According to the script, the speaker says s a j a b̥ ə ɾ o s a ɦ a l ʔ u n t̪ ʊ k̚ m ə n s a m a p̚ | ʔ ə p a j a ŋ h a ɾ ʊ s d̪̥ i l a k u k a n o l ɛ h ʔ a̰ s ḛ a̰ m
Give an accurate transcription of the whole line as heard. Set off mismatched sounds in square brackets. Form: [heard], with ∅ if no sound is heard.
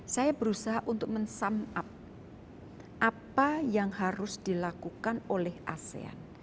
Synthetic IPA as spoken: s a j a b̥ ə ɾ [u] s a ɦ a [∅] ʔ u n t̪ ʊ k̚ m ə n s a m a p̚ | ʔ [a] p a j a ŋ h a ɾ ʊ s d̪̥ i l a k u k a n o l ɛ h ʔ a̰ s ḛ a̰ [n]